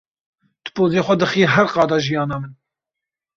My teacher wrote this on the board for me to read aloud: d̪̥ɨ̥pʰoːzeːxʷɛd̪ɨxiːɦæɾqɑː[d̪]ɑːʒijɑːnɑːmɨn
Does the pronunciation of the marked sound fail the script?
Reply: no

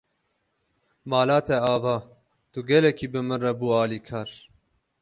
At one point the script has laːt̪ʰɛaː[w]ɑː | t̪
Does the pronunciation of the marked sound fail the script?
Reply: yes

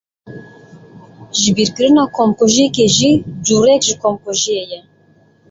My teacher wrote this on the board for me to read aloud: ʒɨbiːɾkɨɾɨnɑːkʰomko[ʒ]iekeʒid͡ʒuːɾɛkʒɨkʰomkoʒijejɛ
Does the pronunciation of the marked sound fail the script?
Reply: no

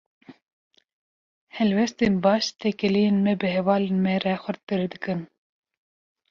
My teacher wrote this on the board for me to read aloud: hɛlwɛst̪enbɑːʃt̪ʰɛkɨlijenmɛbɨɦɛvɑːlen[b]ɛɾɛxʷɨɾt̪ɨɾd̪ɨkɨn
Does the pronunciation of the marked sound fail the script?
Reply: yes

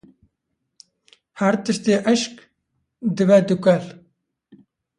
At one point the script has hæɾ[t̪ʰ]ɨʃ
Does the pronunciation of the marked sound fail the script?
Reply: yes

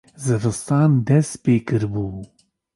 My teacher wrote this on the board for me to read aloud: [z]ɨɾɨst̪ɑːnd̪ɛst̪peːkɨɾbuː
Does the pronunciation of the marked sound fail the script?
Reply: no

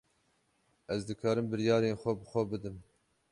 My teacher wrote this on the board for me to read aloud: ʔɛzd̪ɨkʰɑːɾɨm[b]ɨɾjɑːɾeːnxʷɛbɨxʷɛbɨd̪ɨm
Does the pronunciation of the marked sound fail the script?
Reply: no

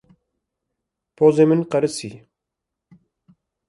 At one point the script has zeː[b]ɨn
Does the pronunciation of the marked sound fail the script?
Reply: yes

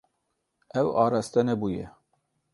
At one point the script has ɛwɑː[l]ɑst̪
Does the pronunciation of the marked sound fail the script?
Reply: yes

